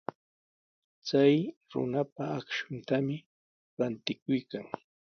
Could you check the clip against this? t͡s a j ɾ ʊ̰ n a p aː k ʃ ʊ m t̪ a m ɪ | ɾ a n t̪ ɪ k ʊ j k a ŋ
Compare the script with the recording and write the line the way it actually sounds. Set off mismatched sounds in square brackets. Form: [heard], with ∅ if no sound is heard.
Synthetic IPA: t͡s a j ɾ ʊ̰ n a p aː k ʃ ʊ [n] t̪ a m ɪ | ɾ a n t̪ ɪ k ʊ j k a ŋ